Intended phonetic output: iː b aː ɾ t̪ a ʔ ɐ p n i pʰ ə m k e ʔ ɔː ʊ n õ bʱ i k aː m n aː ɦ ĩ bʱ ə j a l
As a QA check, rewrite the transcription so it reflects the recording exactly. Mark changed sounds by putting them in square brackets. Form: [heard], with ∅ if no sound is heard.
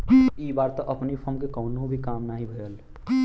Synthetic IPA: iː b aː ɾ t̪ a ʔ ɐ p n i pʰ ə m k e [k] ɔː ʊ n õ bʱ i k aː m n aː ɦ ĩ bʱ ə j [ə] l